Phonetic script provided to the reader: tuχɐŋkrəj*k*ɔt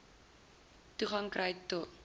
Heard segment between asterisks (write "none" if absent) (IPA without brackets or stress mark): t